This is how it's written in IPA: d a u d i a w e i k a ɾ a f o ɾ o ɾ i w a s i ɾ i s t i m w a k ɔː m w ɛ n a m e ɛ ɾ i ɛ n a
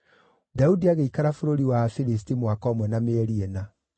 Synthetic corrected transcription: d a u d i a ɣ e i k a ɾ a f o ɾ o ɾ i w a f i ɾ i s t i m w a k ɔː m w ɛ n a m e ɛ ɾ i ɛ n a